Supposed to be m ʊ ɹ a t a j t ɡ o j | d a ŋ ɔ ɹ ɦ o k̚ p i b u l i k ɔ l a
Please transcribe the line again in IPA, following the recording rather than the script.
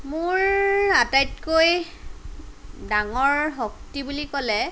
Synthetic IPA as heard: m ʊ ɹ a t a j t k o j | d a ŋ ɔ ɹ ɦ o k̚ t i b u l i k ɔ l ɛ